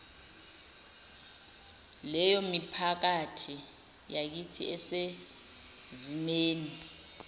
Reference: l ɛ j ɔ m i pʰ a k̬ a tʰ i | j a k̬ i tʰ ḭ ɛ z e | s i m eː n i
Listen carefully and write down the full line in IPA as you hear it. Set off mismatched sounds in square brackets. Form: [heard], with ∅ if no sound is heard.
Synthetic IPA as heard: l ɛ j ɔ m i pʰ a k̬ a tʰ i | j a k̬ i tʰ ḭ ɛ [s] e | [z] i m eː n i